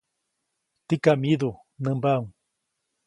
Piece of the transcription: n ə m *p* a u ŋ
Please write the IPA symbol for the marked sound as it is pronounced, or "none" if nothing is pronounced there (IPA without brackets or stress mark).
b